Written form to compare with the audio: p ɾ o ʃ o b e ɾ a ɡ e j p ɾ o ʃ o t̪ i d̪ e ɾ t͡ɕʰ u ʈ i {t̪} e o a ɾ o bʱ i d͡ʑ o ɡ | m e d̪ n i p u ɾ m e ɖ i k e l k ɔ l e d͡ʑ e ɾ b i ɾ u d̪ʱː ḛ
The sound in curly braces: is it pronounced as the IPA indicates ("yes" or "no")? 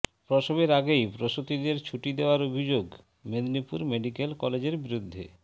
no